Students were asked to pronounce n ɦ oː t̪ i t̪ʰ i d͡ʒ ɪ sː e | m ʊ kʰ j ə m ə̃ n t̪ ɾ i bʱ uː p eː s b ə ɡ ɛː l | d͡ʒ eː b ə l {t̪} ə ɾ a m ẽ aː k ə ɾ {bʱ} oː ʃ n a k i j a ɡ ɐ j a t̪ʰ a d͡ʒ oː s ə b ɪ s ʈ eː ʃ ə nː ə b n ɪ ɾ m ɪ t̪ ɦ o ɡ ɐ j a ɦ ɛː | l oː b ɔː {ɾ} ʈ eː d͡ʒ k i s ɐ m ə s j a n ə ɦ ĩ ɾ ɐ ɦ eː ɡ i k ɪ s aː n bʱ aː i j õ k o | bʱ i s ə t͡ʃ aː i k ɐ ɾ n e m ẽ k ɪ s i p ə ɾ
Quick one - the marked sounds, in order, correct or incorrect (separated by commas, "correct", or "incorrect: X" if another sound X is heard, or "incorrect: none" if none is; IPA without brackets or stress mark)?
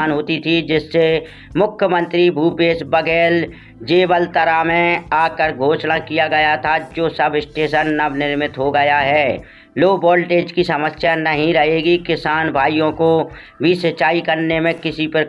correct, incorrect: ɡʱ, incorrect: l